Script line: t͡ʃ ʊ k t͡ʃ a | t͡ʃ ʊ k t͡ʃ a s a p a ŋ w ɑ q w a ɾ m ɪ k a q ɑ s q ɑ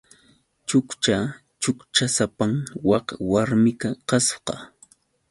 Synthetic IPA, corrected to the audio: t͡ʃ ʊ k t͡ʃ a | t͡ʃ ʊ k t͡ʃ a s a p a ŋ w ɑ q w a ɾ m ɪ k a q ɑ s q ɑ